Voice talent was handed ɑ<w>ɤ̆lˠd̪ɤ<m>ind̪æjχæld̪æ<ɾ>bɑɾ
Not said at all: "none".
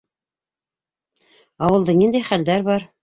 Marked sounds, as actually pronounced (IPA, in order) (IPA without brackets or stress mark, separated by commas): w, n, ɾ